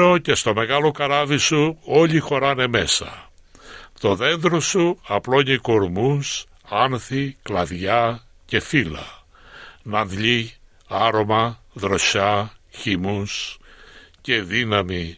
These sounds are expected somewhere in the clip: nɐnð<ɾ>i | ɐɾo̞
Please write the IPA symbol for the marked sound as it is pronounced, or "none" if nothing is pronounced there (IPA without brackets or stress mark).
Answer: ʎ